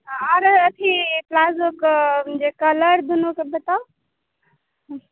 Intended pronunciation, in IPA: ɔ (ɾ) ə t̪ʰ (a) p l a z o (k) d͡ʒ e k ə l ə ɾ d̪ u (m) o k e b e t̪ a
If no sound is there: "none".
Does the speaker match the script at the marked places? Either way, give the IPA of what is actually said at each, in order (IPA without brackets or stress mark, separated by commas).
ɾ, i, k, n